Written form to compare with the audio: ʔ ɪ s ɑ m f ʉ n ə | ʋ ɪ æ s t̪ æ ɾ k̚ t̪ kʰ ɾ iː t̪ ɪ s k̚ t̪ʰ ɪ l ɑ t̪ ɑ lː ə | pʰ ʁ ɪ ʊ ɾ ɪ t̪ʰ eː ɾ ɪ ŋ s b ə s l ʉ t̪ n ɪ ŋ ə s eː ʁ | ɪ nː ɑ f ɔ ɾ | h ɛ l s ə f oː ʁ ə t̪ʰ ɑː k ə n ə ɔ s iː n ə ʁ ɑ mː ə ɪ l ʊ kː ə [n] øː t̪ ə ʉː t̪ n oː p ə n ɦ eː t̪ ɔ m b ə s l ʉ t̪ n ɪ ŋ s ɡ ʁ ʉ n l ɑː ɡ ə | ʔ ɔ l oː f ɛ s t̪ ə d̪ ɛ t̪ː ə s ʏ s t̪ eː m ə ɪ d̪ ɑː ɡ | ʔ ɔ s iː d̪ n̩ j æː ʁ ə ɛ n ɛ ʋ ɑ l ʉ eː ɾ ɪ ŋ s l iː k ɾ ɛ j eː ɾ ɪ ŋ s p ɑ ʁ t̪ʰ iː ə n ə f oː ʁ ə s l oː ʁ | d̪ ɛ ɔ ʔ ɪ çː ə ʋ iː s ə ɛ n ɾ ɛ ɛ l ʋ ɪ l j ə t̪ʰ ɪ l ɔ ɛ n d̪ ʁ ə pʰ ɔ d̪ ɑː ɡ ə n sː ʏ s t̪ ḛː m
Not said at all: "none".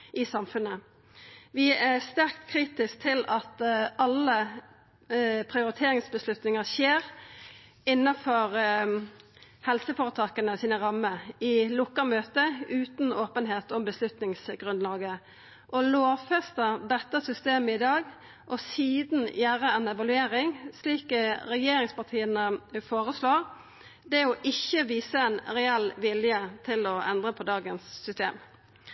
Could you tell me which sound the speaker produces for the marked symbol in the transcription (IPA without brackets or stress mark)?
m